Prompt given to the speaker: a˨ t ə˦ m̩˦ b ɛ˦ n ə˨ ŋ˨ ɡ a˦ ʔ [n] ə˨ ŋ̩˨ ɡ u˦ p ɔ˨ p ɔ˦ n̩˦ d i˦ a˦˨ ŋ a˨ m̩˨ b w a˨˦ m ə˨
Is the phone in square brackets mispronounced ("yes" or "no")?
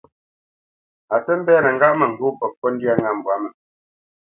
yes